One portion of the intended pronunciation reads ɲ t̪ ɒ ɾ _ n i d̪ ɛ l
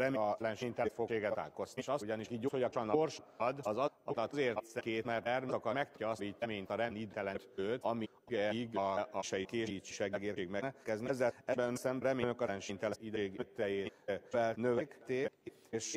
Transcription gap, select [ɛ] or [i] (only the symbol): ɛ